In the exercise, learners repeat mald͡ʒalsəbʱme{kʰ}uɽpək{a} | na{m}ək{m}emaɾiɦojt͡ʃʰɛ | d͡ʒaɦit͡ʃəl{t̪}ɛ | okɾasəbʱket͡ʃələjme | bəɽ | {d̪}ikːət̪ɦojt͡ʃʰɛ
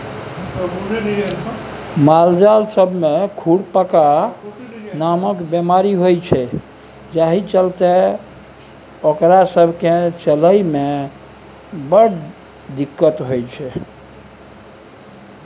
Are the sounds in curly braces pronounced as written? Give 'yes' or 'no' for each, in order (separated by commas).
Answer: yes, yes, yes, no, yes, yes